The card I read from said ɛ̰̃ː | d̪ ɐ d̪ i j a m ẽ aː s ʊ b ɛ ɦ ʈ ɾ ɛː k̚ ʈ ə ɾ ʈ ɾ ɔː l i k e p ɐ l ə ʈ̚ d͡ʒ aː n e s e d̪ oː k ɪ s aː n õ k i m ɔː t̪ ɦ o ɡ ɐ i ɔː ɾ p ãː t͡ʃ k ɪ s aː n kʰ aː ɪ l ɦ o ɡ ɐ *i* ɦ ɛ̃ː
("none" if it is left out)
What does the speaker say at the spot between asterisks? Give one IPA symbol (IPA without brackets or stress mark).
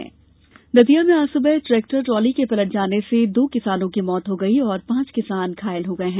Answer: e